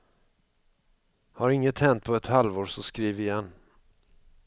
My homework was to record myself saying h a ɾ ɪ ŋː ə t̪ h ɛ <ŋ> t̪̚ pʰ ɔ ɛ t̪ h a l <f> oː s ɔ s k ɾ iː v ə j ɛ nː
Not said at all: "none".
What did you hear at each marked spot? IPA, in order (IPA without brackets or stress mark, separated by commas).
n, v